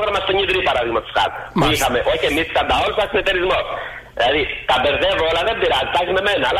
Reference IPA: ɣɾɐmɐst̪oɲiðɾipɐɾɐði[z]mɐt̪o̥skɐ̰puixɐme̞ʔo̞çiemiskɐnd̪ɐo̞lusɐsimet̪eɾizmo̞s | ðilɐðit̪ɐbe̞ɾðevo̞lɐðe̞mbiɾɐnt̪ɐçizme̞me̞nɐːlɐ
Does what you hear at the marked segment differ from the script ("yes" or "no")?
yes